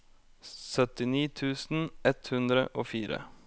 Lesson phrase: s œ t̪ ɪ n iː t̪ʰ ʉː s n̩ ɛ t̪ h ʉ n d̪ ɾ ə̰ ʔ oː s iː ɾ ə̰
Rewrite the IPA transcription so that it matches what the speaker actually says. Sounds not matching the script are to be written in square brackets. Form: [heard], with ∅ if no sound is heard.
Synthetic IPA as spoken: s œ t̪ ɪ n iː t̪ʰ ʉː s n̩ ɛ t̪ h ʉ n d̪ ɾ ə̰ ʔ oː [f] iː ɾ ə̰